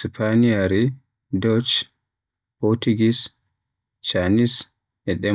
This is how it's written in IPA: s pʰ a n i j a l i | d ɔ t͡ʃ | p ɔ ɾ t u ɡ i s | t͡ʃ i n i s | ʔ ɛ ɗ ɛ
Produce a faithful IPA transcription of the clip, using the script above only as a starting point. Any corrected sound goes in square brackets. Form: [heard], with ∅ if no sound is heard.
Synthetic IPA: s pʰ a n i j a [ɾ] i | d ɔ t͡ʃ | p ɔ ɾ t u ɡ i s | t͡ʃ [a] n i s | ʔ ɛ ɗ ɛ